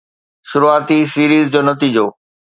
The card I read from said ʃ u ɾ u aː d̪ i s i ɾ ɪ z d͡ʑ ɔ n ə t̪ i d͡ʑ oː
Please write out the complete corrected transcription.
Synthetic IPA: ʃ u ɾ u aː t̪ i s i ɾ i z d͡ʑ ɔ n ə t̪ i d͡ʑ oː